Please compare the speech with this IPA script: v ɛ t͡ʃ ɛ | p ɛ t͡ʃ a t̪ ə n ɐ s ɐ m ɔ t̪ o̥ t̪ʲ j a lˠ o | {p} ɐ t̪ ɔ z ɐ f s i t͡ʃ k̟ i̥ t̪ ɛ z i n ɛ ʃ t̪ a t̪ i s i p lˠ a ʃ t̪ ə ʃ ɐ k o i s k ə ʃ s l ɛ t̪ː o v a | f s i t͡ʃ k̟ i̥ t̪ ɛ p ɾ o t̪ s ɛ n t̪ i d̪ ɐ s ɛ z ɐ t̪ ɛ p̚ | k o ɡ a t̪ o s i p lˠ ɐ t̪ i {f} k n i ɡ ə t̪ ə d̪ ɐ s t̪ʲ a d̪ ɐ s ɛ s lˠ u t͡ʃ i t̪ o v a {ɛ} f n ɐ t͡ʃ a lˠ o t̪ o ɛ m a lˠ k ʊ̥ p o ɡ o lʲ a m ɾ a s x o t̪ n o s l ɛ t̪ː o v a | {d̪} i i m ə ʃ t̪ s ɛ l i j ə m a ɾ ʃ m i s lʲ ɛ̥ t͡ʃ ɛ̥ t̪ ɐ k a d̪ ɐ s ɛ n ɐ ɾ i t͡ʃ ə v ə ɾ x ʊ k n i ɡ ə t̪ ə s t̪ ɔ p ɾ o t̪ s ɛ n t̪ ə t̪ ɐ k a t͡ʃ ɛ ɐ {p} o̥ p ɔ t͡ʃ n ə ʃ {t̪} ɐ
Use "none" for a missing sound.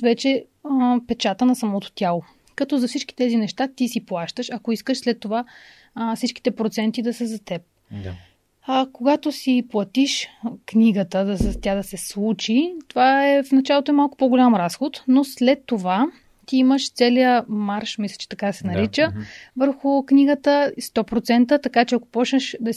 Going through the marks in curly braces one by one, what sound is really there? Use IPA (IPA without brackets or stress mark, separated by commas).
k, ʃ, ɛ, t̪, k, d̪